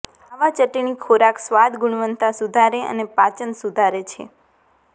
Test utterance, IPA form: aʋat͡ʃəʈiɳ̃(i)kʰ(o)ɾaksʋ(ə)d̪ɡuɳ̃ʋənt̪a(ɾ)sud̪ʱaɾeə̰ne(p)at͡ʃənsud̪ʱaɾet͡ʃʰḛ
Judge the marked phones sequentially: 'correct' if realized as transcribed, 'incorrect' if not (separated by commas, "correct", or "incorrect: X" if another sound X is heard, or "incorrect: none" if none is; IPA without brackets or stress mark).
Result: correct, correct, incorrect: a, incorrect: none, correct